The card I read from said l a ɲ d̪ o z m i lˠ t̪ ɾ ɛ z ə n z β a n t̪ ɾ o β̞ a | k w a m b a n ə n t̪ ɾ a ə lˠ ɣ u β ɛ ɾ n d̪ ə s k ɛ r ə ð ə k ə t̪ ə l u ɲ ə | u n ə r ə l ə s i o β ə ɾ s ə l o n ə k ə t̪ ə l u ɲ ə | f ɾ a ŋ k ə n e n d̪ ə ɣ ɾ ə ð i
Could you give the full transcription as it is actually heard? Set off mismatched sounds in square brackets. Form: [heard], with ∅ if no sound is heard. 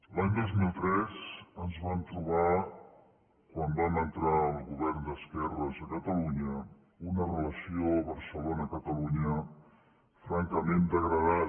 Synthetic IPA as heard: l a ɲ d̪ o z m i lˠ t̪ ɾ ɛ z ə n z β a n t̪ ɾ [u] β̞ a | k w a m b a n ə n t̪ ɾ a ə lˠ ɣ u β ɛ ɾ n d̪ ə s k ɛ r ə [z] ə k ə t̪ ə l u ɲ ə | u n ə r ə l ə s i o β ə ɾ s ə l o n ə k ə t̪ ə l u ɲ ə | f ɾ a ŋ k ə [m] e n d̪ ə ɣ ɾ ə ð [a]